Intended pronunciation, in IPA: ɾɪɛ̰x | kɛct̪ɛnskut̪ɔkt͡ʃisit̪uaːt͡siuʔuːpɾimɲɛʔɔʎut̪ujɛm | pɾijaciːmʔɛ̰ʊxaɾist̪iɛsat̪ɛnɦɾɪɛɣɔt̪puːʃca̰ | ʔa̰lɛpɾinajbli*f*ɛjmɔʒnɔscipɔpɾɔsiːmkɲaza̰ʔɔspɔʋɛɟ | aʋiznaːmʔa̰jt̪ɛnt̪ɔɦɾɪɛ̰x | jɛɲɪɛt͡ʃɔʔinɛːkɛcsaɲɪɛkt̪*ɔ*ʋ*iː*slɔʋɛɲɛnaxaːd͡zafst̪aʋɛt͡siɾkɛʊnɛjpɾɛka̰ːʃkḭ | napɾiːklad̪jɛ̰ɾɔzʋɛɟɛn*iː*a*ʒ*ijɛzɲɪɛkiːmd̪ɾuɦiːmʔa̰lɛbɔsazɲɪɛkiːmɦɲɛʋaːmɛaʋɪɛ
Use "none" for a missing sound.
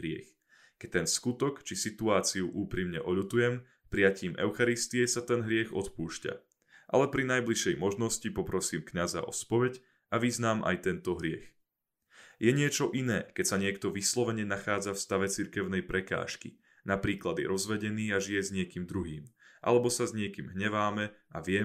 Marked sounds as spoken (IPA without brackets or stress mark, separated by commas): ʃ, ɔ, i, iː, ʒ